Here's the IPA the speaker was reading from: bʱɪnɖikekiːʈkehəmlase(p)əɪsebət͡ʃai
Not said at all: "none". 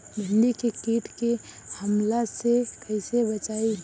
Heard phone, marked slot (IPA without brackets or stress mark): k